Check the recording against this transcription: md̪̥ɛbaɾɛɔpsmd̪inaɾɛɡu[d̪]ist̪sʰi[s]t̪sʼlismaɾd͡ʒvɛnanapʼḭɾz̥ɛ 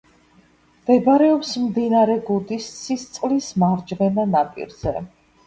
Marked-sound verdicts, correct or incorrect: correct, correct

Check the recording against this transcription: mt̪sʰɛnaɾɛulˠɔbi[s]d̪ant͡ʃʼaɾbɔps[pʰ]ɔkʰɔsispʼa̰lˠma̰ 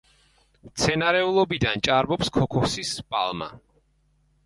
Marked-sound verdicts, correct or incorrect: incorrect, incorrect

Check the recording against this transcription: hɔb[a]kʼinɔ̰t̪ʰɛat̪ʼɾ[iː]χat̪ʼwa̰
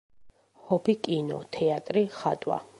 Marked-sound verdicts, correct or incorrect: incorrect, incorrect

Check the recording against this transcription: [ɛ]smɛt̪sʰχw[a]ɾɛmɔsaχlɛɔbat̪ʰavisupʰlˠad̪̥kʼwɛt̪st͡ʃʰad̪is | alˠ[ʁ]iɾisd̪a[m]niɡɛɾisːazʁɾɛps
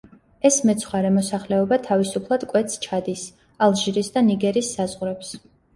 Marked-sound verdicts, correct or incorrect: correct, correct, incorrect, incorrect

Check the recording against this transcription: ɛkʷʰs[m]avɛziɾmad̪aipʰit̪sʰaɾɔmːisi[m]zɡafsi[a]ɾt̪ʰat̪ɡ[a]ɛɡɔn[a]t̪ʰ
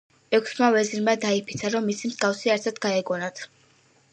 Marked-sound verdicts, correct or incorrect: correct, correct, correct, correct, correct

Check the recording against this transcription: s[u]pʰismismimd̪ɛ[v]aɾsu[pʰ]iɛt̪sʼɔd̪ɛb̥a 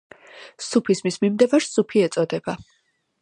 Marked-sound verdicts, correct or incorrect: correct, correct, correct

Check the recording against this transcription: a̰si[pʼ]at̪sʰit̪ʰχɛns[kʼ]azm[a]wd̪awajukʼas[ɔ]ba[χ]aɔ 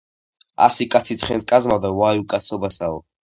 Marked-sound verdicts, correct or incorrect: incorrect, correct, correct, correct, incorrect

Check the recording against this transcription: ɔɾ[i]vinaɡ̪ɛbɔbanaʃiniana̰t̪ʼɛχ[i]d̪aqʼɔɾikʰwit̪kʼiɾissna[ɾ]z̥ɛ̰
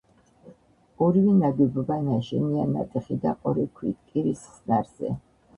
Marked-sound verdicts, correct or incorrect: correct, correct, correct

